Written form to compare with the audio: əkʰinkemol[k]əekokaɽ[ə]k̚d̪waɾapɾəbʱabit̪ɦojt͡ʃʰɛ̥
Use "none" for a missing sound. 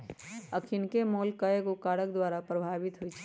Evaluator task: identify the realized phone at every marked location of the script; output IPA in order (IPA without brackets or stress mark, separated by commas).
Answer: k, ə